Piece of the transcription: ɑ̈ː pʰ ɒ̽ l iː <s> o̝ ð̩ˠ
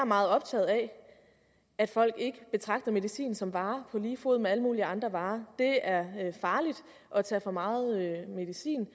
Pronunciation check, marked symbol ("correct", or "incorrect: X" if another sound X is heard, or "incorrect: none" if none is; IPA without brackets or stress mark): incorrect: f